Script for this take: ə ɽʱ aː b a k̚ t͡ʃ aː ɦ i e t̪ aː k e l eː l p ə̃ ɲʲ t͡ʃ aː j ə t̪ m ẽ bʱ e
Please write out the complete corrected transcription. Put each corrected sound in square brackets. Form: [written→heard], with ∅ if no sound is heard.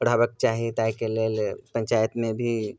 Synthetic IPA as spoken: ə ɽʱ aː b [a→ə] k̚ t͡ʃ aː ɦ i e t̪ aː k e l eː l p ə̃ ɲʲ t͡ʃ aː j ə t̪ m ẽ bʱ [e→i]